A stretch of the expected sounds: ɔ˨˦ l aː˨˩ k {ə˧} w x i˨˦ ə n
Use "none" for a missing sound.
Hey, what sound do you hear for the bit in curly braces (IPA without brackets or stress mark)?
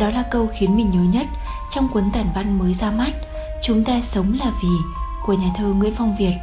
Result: ə˧